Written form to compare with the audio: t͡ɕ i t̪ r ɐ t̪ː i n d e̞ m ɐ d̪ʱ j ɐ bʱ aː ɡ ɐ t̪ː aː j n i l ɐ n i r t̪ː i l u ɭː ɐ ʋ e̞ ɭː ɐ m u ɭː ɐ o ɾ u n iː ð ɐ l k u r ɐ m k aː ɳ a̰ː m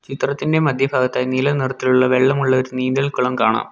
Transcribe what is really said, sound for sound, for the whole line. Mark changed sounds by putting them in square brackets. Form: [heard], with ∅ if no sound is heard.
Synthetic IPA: t͡ɕ i t̪ r ɐ t̪ː i n d e̞ m ɐ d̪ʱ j ɐ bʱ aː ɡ ɐ t̪ː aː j n i l ɐ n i r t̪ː i l u ɭː ɐ ʋ e̞ ɭː ɐ m u ɭː ɐ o ɾ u n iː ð ɐ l k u [ɭ] ɐ m k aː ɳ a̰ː m